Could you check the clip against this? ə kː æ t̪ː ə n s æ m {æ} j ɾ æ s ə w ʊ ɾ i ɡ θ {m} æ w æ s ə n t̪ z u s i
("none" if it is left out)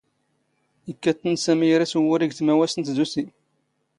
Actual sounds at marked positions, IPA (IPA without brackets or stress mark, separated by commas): i, m